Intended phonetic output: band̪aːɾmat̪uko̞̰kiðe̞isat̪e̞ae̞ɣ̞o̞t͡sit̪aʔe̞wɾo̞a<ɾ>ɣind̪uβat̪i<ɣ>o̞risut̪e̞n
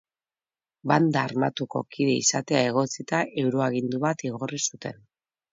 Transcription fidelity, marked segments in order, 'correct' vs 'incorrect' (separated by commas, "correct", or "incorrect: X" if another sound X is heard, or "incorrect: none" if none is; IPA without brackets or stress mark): incorrect: none, correct